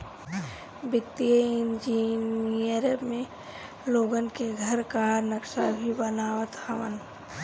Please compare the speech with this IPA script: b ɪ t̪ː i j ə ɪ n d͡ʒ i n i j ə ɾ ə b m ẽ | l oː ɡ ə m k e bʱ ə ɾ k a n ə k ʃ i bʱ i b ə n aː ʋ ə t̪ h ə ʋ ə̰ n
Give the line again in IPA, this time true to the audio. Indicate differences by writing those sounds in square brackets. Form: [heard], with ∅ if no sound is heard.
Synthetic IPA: b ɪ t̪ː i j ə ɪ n d͡ʒ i n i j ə ɾ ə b m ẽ | l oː ɡ ə [n] k e [ɡʱ] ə ɾ k a n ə k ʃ [a] bʱ i b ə n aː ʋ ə t̪ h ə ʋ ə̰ n